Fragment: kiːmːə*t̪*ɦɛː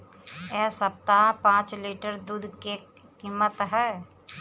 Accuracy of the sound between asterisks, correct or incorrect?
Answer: correct